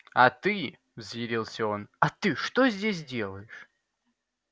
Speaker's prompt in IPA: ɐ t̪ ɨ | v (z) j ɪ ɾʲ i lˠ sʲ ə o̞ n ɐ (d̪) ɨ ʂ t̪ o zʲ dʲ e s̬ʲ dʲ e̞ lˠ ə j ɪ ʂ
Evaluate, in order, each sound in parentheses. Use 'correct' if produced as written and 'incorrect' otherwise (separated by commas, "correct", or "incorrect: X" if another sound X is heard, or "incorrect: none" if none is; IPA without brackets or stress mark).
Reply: correct, incorrect: t̪